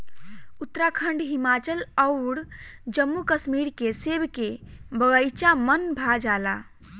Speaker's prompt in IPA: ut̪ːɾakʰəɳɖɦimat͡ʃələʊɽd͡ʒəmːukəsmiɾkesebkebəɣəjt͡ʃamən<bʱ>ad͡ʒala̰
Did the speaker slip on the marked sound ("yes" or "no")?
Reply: no